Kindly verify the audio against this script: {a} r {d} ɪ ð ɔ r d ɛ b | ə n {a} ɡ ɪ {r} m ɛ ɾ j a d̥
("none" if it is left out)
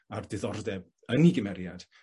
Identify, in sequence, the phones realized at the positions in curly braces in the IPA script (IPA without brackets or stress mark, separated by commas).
a, d, i, none